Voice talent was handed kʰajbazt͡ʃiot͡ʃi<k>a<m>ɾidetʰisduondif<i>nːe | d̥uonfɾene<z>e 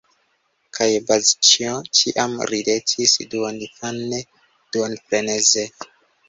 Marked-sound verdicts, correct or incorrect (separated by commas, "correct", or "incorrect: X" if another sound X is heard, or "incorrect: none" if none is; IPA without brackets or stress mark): incorrect: ʔ, correct, incorrect: a, correct